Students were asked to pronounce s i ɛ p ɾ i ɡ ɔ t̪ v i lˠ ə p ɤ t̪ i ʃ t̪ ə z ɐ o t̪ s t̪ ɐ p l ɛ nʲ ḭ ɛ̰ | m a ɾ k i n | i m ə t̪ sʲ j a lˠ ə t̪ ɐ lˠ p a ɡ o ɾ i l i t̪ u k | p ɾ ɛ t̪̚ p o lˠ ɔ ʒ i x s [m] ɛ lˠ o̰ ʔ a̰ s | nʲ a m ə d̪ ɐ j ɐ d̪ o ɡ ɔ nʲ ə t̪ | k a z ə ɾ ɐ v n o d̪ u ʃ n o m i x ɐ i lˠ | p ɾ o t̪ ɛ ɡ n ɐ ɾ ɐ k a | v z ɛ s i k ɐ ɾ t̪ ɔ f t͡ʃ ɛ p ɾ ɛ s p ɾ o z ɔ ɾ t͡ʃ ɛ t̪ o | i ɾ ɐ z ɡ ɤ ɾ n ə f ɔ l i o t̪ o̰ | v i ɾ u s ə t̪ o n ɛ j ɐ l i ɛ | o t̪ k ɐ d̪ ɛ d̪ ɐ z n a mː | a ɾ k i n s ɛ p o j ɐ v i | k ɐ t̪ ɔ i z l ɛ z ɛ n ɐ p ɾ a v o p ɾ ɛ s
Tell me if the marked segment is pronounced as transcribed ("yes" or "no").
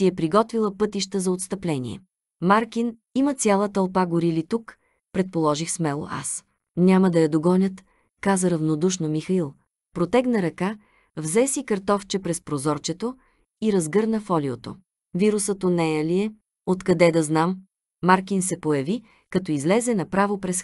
yes